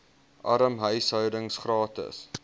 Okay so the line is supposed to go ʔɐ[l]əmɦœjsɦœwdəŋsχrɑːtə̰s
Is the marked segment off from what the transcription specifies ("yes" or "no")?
yes